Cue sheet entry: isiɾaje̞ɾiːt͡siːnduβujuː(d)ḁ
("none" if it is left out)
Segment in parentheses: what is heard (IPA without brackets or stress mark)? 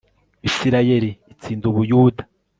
d